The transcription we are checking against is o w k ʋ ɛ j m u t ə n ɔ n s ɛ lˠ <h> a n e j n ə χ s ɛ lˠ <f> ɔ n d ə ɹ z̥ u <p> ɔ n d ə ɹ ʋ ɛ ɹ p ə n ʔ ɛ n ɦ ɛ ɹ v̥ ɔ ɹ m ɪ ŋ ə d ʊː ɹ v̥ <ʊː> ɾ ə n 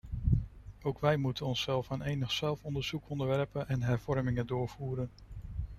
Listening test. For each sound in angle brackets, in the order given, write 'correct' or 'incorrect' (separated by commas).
incorrect, correct, incorrect, incorrect